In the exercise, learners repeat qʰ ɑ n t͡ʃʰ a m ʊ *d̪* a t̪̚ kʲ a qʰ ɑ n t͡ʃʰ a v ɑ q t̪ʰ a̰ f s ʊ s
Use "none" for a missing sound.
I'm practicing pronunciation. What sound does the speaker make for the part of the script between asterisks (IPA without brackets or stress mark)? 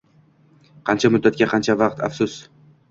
d̪ː